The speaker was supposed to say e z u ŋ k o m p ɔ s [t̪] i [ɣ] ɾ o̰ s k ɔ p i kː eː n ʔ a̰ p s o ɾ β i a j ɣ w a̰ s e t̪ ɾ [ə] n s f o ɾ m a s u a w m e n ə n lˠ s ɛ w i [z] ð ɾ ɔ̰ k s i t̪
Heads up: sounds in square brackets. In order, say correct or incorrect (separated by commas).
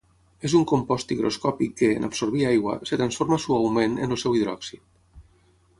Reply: correct, correct, incorrect, incorrect